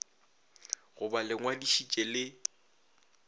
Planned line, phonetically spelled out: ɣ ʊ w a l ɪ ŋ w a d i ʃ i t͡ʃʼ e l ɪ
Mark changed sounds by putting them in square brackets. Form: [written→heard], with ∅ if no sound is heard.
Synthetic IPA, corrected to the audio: ɣ ʊ [w→b] a l ɪ ŋ w a d i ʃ i t͡ʃʼ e l ɪ